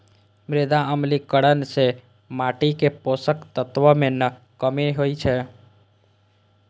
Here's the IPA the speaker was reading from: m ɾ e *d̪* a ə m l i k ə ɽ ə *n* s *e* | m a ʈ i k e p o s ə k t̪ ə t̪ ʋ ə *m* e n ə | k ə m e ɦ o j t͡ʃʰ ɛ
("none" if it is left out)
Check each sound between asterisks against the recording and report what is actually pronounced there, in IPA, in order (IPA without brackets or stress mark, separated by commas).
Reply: d̪, n, e, m